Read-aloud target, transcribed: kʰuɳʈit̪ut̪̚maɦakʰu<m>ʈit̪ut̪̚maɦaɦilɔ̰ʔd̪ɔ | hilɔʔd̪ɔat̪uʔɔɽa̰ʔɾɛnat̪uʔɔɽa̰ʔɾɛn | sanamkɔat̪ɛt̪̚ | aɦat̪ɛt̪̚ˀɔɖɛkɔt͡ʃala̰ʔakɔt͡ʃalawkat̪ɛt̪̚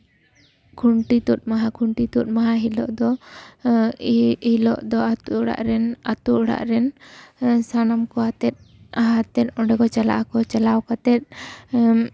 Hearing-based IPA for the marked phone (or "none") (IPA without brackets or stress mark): ɳ